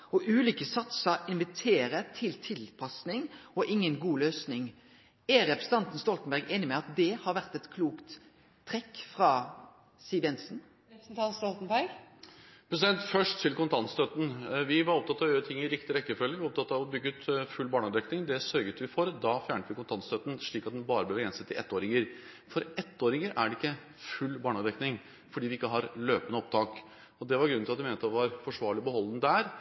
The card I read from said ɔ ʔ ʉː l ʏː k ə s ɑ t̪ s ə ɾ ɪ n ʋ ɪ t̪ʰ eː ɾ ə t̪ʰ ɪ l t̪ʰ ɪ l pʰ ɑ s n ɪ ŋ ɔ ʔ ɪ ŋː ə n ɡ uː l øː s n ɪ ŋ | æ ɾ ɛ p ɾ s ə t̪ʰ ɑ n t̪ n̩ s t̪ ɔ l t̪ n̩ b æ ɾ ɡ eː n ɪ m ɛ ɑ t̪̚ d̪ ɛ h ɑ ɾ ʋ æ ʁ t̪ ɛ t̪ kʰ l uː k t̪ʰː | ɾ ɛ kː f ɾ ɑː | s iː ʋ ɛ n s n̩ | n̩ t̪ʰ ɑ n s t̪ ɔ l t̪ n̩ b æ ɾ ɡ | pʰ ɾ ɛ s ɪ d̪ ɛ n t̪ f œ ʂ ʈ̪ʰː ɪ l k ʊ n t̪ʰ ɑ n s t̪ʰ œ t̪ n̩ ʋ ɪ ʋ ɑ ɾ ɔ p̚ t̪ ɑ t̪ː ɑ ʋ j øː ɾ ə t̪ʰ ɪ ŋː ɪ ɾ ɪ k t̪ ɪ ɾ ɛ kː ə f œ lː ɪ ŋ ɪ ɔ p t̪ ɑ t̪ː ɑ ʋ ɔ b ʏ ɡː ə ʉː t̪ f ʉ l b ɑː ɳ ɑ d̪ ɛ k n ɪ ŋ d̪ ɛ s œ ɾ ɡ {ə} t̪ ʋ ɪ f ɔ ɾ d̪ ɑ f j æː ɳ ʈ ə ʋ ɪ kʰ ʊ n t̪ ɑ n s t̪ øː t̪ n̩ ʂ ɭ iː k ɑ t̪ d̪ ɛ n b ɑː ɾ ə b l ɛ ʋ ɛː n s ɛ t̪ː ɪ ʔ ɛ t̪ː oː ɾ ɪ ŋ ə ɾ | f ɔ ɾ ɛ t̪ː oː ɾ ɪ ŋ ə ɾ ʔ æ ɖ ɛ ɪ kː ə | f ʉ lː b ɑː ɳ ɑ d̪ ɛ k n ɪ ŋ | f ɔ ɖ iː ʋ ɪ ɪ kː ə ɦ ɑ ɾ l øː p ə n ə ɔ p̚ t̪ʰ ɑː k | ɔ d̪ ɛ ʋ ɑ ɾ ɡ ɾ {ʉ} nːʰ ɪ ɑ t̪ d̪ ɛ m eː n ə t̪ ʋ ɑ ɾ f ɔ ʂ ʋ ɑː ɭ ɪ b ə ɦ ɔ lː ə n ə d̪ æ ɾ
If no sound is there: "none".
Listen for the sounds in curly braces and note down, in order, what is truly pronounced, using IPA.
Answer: ə, ʉ

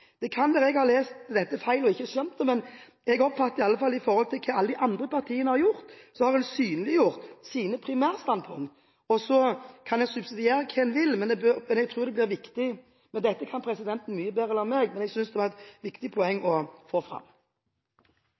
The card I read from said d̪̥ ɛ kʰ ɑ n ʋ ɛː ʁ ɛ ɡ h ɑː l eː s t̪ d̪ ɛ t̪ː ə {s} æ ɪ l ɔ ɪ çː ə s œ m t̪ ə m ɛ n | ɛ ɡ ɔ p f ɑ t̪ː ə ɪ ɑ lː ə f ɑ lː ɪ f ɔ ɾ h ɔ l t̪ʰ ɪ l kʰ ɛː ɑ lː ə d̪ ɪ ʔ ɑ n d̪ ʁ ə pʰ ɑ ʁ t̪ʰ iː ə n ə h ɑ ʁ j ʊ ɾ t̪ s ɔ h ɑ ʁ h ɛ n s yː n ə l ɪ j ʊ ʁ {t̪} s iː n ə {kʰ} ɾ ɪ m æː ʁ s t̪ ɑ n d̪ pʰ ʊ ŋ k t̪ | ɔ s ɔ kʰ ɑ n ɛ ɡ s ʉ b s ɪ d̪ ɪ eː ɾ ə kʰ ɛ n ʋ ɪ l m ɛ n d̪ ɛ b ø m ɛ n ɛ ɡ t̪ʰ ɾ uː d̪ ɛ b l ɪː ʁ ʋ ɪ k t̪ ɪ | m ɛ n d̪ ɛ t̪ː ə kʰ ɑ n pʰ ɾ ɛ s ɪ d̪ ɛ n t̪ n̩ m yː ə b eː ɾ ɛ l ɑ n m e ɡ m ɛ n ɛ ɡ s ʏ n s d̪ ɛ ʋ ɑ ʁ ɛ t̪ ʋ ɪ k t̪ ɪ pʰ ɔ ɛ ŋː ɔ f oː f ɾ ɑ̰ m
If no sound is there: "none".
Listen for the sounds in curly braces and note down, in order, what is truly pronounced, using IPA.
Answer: f, t̪, pʰ

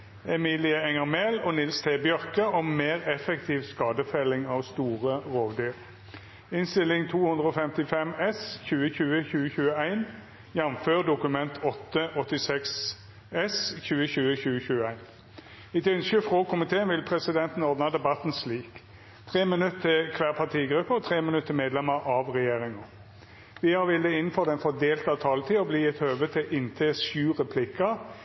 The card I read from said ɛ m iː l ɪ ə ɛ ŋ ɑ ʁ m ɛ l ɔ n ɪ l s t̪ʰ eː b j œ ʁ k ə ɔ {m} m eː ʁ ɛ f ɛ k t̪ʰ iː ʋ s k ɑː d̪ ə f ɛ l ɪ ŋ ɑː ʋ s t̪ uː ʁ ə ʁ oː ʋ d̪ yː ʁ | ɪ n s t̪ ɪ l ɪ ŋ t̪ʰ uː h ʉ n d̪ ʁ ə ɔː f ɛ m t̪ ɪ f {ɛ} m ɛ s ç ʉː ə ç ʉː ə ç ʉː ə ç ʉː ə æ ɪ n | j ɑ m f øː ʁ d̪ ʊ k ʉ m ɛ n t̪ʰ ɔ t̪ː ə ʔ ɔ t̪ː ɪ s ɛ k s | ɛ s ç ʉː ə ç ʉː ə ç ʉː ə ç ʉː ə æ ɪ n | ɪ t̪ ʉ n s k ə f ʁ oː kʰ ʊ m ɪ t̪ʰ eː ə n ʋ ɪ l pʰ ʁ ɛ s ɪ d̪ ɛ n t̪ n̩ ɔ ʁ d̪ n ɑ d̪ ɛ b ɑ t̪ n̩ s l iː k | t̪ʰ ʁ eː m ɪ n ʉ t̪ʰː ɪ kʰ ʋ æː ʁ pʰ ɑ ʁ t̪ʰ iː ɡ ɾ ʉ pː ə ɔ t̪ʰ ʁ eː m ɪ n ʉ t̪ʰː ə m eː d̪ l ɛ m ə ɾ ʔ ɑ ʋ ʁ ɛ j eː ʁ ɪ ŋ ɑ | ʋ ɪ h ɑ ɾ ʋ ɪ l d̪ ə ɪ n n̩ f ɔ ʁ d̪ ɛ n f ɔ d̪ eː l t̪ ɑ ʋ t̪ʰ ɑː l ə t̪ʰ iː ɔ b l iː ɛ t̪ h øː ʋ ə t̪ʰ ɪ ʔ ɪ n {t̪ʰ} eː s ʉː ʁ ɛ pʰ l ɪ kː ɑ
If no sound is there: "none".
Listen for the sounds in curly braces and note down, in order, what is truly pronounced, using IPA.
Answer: m, ɛ, t̪ʰ

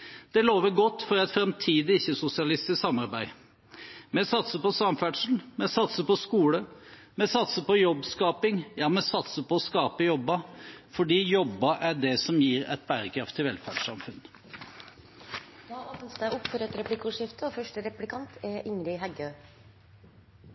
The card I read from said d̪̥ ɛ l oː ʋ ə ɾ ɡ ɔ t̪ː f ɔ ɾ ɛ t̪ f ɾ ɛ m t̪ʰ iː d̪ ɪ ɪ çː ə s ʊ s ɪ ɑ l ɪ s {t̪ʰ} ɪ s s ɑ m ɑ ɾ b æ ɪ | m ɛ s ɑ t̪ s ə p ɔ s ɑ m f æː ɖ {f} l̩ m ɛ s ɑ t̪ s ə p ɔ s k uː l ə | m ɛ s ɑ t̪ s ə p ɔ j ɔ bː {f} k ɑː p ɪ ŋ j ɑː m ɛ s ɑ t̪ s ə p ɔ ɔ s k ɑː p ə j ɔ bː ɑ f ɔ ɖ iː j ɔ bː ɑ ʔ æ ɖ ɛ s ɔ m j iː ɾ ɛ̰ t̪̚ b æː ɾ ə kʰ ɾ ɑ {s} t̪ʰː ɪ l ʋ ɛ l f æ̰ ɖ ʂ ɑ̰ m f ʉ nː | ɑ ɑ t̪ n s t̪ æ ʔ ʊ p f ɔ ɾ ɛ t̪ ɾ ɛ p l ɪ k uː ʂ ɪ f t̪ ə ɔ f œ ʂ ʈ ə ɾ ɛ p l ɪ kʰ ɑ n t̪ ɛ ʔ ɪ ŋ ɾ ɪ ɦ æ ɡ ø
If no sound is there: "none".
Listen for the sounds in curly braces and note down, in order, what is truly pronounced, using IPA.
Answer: t̪, ʂ, s, f

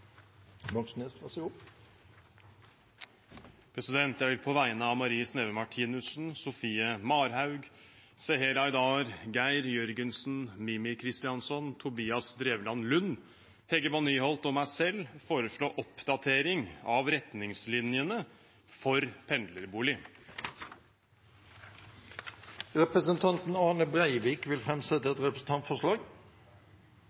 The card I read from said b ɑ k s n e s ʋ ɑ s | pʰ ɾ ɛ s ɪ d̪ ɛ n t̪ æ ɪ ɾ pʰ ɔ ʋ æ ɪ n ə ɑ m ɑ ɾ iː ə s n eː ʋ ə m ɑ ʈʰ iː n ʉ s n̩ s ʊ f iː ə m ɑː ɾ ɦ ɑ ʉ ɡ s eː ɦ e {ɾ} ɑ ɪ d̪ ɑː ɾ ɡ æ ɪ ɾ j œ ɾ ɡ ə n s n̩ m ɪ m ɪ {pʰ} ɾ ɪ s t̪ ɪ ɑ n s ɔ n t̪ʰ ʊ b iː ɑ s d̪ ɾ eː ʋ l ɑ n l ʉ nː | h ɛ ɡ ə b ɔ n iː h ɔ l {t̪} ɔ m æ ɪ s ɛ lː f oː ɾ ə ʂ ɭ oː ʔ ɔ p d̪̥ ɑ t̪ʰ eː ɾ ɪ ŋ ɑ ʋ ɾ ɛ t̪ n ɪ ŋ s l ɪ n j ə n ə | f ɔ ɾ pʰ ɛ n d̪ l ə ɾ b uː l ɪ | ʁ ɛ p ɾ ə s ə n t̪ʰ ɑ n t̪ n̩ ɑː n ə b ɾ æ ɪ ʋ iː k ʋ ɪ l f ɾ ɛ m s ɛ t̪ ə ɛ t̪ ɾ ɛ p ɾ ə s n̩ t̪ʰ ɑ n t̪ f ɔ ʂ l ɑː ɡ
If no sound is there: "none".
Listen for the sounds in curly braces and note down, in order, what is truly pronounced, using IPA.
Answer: ɾ, kʰ, t̪

